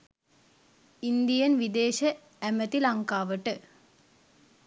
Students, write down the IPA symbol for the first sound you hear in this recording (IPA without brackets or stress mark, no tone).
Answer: i